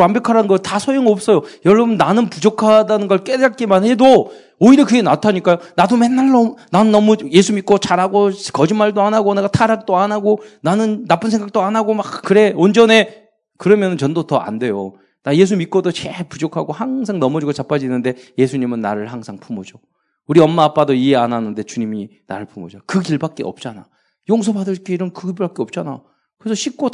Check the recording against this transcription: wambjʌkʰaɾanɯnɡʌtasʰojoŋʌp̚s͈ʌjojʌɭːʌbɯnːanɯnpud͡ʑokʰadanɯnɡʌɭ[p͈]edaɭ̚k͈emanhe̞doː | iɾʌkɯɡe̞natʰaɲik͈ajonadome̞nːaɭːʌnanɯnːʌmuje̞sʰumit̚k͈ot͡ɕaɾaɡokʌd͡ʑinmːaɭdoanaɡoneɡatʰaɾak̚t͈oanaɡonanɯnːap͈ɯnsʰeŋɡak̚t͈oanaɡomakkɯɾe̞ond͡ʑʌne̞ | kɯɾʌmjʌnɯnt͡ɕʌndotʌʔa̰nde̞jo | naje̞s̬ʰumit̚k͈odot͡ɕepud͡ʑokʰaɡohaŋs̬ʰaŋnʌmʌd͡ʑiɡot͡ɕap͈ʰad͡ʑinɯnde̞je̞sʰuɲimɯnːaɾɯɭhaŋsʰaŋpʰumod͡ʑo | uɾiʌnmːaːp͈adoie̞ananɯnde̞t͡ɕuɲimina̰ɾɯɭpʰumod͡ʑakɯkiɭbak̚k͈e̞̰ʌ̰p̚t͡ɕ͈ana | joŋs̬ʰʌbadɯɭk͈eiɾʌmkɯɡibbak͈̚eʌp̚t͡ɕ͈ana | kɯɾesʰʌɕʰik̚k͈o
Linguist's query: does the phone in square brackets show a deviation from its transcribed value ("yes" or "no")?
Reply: yes